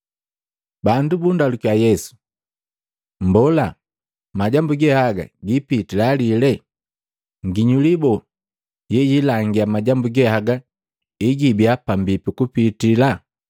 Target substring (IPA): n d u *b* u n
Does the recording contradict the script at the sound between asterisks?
no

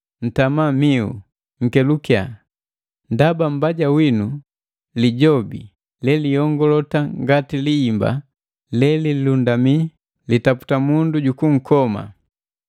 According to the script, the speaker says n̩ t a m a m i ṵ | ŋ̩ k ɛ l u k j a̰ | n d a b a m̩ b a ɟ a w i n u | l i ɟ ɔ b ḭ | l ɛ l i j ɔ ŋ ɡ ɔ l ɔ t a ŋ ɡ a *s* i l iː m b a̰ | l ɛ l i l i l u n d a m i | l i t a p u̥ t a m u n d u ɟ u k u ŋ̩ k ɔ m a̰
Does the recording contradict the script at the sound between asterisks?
yes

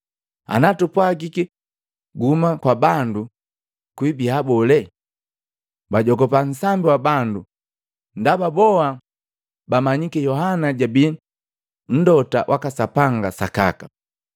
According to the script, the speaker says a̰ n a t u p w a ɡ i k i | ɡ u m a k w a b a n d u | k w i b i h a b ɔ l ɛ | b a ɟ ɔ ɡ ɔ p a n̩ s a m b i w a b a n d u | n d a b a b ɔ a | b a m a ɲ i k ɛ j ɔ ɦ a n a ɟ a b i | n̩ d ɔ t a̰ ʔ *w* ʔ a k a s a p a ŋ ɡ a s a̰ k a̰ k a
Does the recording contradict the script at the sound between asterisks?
no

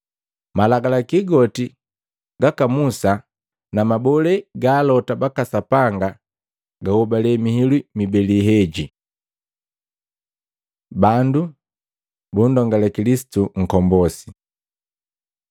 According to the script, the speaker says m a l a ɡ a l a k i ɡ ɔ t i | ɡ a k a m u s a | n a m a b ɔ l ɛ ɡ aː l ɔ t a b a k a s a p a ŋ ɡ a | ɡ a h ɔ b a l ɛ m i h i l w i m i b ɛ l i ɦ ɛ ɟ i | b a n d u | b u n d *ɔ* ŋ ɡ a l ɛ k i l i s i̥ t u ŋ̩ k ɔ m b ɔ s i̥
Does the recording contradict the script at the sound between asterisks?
no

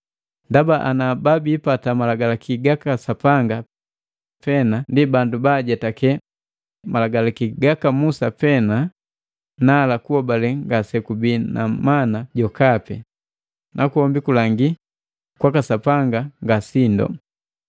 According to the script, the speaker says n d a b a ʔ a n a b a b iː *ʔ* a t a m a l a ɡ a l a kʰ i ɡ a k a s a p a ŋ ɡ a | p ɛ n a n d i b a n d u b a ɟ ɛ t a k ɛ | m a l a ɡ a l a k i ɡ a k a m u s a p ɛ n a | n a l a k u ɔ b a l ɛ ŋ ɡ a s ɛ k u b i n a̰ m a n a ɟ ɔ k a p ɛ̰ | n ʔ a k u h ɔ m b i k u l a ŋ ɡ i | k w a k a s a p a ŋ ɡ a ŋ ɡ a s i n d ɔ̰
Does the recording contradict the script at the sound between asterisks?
yes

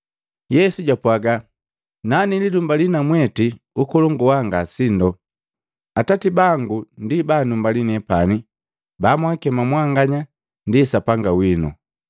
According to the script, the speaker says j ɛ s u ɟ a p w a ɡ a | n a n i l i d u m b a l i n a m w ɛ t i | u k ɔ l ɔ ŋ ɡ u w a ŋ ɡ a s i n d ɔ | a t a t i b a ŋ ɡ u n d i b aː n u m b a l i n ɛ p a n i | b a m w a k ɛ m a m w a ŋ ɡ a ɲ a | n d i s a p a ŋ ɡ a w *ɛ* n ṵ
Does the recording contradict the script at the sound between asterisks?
yes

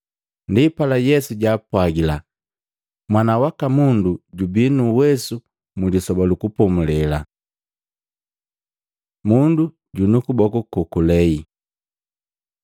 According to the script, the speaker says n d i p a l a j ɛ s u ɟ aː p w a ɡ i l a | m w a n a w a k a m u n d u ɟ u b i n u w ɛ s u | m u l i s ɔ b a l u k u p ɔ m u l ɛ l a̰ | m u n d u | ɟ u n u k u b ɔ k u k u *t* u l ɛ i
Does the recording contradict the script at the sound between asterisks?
yes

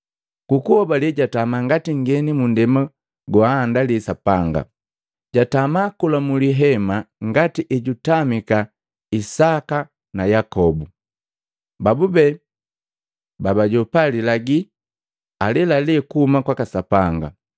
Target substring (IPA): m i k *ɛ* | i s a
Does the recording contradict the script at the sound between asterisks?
yes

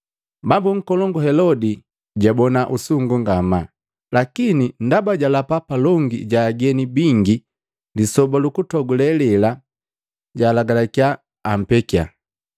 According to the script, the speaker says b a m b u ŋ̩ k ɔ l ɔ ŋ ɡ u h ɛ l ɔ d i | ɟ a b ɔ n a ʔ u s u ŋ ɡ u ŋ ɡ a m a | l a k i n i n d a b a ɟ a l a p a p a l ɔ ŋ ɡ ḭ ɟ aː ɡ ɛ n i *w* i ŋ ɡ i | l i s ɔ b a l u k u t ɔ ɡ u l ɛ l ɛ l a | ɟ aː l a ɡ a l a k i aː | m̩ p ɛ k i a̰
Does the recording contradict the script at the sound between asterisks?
yes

